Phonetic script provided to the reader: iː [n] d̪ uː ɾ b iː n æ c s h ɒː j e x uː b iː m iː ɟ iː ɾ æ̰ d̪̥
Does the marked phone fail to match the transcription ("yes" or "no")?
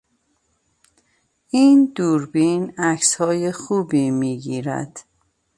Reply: no